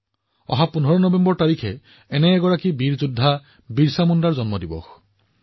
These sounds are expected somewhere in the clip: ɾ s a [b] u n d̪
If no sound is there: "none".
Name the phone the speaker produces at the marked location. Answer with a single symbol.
m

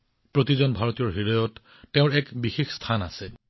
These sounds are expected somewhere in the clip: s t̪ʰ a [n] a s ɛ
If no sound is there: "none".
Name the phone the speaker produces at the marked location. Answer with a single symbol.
n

